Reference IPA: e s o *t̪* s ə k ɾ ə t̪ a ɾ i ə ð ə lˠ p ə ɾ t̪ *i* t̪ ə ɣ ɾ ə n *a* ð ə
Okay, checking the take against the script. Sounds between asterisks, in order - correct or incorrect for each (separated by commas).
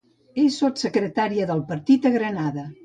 correct, correct, correct